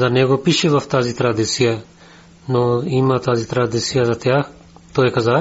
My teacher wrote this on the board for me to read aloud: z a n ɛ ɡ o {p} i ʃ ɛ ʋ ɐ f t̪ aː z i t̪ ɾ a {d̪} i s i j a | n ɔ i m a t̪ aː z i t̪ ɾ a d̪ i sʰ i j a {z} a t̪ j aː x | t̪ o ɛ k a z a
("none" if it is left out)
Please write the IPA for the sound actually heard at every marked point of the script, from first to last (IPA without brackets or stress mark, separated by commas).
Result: p, d̪, z